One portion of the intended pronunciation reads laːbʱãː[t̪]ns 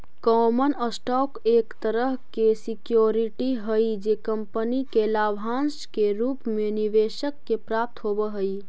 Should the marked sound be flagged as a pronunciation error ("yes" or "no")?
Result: yes